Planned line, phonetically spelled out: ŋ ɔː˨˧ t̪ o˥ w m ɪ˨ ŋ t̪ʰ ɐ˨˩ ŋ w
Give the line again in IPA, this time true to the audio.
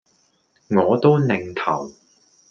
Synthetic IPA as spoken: ŋ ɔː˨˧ t̪ o˥ w n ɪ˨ ŋ t̪ʰ ɐ˨˩ w